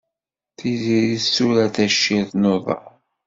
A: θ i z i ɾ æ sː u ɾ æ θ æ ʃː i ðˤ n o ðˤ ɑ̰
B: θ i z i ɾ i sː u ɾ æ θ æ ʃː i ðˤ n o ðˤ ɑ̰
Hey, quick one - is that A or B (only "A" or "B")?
B